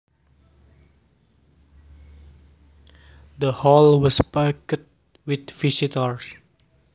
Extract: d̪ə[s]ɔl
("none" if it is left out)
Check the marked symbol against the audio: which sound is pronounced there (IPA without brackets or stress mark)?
h